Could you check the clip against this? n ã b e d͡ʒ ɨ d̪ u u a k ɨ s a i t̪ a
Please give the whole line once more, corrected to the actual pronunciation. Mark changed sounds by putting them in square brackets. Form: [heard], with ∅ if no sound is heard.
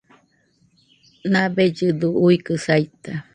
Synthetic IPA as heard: n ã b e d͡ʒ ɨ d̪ u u [i] k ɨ s a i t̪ a